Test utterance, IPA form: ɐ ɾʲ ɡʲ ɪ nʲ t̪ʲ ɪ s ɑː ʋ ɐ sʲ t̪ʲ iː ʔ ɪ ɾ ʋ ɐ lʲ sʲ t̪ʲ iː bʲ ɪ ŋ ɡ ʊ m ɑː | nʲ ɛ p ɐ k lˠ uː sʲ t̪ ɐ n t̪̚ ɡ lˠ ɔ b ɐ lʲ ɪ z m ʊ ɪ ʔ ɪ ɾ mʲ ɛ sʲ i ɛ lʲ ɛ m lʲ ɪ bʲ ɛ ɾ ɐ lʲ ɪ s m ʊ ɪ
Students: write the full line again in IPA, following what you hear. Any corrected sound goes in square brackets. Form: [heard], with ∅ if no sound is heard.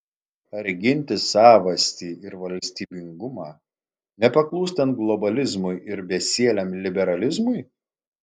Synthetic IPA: ɐ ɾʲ ɡʲ ɪ nʲ t̪ʲ ɪ s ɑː ʋ ɐ sʲ t̪ʲ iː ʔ ɪ ɾ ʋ ɐ lʲ sʲ t̪ʲ iː bʲ ɪ ŋ ɡ ʊ m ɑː | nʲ ɛ p ɐ k lˠ uː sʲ t̪ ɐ n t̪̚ ɡ lˠ ɔ b ɐ lʲ ɪ z m ʊ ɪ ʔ ɪ ɾ [bʲ] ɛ sʲ i ɛ lʲ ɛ m lʲ ɪ bʲ ɛ ɾ ɐ lʲ ɪ [z] m ʊ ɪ

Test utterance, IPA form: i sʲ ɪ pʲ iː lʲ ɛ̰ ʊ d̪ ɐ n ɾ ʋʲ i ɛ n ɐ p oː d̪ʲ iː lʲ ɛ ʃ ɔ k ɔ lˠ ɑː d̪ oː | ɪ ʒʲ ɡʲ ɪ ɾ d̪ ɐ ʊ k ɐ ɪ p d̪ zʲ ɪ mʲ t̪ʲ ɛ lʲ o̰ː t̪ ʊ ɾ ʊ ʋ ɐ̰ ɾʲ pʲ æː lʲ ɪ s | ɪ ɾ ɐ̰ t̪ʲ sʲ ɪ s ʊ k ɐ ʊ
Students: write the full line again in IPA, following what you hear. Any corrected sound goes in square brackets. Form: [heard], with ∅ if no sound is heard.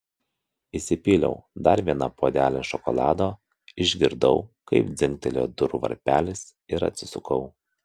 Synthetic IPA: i sʲ ɪ pʲ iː lʲ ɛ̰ ʊ d̪ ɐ [∅] ɾ ʋʲ i ɛ n ɐ p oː d̪ʲ [æː] lʲ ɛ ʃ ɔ k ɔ lˠ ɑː d̪ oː | ɪ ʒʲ ɡʲ ɪ ɾ d̪ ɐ ʊ k ɐ ɪ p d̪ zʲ ɪ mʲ t̪ʲ ɛ lʲ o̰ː [d̪] ʊ ɾ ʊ ʋ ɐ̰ ɾʲ pʲ æː lʲ ɪ s | ɪ ɾ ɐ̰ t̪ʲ sʲ ɪ s ʊ k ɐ ʊ

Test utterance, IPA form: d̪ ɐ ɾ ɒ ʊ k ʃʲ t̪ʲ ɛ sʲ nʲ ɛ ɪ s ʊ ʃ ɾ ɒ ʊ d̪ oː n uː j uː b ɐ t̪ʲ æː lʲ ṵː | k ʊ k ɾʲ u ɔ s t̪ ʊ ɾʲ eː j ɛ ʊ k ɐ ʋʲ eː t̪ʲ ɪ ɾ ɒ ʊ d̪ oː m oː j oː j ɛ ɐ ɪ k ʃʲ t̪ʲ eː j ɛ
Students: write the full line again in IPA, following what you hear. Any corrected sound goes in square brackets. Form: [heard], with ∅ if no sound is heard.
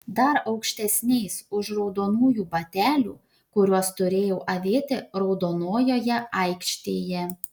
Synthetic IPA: d̪ ɐ ɾ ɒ ʊ k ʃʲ t̪ʲ ɛ sʲ nʲ ɛ ɪ s ʊ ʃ ɾ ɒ ʊ d̪ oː n uː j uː b ɐ t̪ʲ æː lʲ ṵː | k ʊ [∅] ɾʲ u ɔ s t̪ ʊ ɾʲ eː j ɛ ʊ [ʔ] ɐ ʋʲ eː t̪ʲ ɪ ɾ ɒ ʊ d̪ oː [n] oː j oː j ɛ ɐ ɪ k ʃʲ t̪ʲ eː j ɛ

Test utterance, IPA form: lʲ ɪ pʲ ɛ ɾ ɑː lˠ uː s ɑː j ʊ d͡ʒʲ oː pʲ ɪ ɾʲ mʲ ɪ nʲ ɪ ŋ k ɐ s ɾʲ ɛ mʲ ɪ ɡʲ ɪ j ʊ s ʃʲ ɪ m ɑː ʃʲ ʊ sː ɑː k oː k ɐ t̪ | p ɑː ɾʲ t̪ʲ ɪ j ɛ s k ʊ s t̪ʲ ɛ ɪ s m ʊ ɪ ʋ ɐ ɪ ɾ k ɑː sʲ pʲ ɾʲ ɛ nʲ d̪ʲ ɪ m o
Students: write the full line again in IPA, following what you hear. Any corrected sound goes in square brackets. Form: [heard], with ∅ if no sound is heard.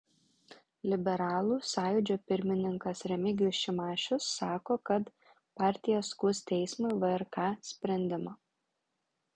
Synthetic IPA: lʲ ɪ [bʲ] ɛ ɾ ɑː lˠ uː s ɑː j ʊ d͡ʒʲ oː pʲ ɪ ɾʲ mʲ ɪ nʲ ɪ ŋ k ɐ s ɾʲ ɛ mʲ ɪ ɡʲ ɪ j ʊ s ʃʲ ɪ m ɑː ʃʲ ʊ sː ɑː k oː k ɐ t̪ | p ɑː ɾʲ t̪ʲ ɪ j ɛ s k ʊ s t̪ʲ ɛ ɪ s m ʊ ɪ ʋ ɐ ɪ ɾ k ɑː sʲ pʲ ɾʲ ɛ nʲ d̪ʲ ɪ m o

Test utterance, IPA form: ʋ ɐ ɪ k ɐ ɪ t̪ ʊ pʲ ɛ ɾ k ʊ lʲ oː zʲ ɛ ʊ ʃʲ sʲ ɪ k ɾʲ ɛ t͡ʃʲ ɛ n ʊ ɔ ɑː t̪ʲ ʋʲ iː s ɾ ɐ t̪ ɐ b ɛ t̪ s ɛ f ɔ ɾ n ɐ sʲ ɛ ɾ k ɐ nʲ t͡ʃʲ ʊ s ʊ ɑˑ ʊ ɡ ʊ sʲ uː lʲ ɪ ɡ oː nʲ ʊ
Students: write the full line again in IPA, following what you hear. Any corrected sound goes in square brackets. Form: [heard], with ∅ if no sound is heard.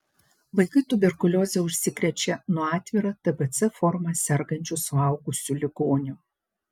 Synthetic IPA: ʋ ɐ ɪ k ɐ ɪ t̪ ʊ [bʲ] ɛ ɾ k ʊ lʲ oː zʲ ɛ ʊ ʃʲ sʲ ɪ k ɾʲ ɛ t͡ʃʲ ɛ n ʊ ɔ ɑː t̪ʲ ʋʲ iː [∅] ɾ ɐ t̪ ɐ b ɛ t̪ s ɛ f ɔ ɾ [m] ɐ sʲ ɛ ɾ [ɡ] ɐ nʲ t͡ʃʲ ʊ s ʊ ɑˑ ʊ ɡ ʊ sʲ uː lʲ ɪ ɡ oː nʲ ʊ

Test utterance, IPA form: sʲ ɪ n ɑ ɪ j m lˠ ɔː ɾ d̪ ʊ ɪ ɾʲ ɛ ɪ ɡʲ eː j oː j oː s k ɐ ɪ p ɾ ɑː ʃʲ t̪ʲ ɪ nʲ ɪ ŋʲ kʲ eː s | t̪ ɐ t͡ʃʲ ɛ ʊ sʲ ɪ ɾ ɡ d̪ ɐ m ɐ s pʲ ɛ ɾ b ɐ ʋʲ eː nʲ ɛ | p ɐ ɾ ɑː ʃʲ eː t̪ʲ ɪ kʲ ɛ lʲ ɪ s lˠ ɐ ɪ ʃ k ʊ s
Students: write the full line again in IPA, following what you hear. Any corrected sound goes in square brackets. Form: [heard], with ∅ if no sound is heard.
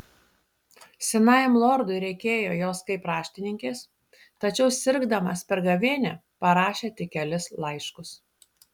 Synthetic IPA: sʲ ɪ n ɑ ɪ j m lˠ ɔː ɾ d̪ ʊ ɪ ɾʲ ɛ ɪ [kʲ] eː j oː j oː s k ɐ ɪ p ɾ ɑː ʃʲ t̪ʲ ɪ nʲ ɪ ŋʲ kʲ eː s | t̪ ɐ t͡ʃʲ ɛ ʊ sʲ ɪ ɾ ɡ d̪ ɐ m ɐ s pʲ ɛ ɾ [ɡ] ɐ ʋʲ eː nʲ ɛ | p ɐ ɾ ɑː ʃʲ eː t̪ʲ ɪ kʲ ɛ lʲ ɪ s lˠ ɐ ɪ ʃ k ʊ s

